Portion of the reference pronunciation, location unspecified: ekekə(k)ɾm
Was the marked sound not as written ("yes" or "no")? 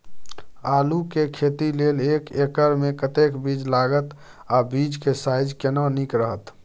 yes